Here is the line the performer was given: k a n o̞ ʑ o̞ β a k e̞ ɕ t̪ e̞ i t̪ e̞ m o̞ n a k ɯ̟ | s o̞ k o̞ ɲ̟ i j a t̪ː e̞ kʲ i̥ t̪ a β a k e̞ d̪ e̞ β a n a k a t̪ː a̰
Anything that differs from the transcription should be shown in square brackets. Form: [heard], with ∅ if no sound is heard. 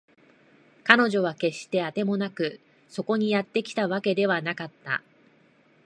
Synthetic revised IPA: k a n o̞ ʑ o̞ β a k e̞ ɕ t̪ e̞ [a] t̪ e̞ m o̞ n a k ɯ̟ | s o̞ k o̞ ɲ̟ i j a t̪ː e̞ kʲ i̥ t̪ a β a k e̞ d̪ e̞ β a n a k a t̪ː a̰